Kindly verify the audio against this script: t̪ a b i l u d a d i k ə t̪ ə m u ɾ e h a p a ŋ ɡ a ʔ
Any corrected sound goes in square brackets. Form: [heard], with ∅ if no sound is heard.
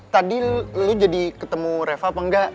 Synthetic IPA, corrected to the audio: t̪ a [d] i l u [d͡ʒ] a d i k ə t̪ ə m u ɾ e [f] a p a ŋ ɡ a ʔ